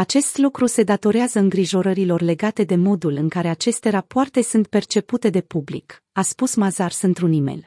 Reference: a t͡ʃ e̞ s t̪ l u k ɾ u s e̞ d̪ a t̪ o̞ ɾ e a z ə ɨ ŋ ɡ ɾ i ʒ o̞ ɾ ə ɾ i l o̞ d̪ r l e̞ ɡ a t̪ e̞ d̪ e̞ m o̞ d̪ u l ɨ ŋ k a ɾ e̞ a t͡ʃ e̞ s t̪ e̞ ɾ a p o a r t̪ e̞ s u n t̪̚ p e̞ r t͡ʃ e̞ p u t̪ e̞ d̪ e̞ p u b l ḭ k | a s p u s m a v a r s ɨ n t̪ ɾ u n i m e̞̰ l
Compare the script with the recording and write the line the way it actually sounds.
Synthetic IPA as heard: a t͡ʃ e̞ s t̪ l u k ɾ u s e̞ d̪ a t̪ o̞ ɾ e a z ə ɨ ŋ ɡ ɾ i ʒ o̞ ɾ ə ɾ i l o̞ r l e̞ ɡ a t̪ e̞ d̪ e̞ m o̞ d̪ u l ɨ ŋ k a ɾ e̞ a t͡ʃ e̞ s t̪ e̞ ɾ a p o a r t̪ e̞ s u n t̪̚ p e̞ r t͡ʃ e̞ p u t̪ e̞ d̪ e̞ p u b l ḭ k | a s p u s m a z a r s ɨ n t̪ ɾ u n i m e̞̰ l